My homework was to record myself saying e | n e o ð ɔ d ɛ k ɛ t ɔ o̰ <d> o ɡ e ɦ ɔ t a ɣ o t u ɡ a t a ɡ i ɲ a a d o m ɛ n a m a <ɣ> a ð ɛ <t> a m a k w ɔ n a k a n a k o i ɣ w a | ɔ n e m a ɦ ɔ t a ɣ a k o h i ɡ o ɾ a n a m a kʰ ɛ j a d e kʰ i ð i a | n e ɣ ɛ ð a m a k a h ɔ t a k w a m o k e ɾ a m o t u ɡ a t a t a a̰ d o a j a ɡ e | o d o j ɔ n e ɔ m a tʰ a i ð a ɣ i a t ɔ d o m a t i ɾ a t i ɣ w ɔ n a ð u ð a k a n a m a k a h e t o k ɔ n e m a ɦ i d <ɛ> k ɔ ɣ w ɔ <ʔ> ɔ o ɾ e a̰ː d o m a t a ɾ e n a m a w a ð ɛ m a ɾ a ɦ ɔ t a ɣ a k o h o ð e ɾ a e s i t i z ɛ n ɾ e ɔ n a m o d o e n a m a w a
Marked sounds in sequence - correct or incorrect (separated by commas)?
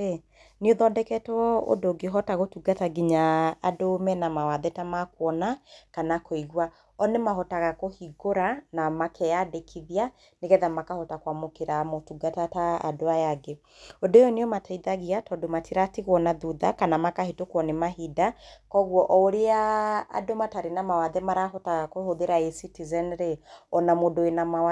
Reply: correct, incorrect, correct, incorrect, correct